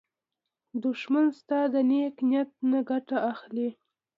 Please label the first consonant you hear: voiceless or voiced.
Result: voiced